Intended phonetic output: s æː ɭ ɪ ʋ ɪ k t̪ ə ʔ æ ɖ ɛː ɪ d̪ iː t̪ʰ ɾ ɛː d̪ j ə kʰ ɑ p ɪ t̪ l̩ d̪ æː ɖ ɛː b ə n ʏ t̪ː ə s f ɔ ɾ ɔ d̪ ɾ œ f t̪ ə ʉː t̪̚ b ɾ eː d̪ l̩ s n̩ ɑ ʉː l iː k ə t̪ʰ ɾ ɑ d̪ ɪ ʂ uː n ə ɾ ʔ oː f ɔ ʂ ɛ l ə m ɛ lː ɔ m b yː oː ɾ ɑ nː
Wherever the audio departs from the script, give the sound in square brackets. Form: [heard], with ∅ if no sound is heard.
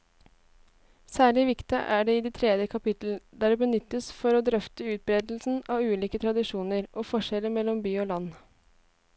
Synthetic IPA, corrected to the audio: s æː ɭ ɪ ʋ ɪ k t̪ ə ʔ æ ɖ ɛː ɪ d̪ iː t̪ʰ ɾ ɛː d̪ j ə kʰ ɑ p ɪ t̪ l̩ d̪ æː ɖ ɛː b ə n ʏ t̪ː ə s f ɔ ɾ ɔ d̪ ɾ œ f t̪ ə ʉː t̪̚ b ɾ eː d̪ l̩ s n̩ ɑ ʉː l iː k ə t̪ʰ ɾ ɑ d̪ ɪ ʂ uː n ə ɾ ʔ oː f ɔ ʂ ɛ l ə m ɛ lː ɔ m b yː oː [l] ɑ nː